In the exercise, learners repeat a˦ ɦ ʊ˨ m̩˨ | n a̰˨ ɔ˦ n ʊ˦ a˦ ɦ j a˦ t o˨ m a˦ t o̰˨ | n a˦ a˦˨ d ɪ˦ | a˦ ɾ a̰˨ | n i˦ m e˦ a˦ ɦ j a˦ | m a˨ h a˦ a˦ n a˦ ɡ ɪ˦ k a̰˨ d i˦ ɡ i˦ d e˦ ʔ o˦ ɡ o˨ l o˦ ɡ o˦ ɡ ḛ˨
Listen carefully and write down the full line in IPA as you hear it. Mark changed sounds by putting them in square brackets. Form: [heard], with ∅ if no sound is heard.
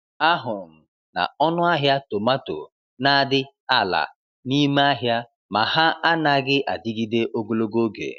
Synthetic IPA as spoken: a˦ ɦ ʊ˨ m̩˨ | n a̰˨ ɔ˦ n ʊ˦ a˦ ɦ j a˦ t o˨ m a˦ t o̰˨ | n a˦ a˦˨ d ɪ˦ | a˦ [l] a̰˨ | n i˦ m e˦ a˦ ɦ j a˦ | m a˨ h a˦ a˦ n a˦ ɡ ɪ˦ [ʔ] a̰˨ d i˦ ɡ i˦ d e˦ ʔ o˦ ɡ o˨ l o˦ ɡ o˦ ɡ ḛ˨